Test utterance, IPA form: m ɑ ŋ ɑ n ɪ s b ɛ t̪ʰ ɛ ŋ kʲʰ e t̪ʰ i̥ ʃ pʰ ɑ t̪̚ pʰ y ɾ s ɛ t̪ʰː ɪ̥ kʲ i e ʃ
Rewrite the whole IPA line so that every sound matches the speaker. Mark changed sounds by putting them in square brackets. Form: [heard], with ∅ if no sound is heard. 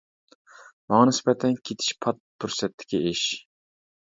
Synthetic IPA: m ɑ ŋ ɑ n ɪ s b ɛ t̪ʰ ɛ [n] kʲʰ e t̪ʰ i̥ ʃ pʰ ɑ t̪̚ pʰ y ɾ s ɛ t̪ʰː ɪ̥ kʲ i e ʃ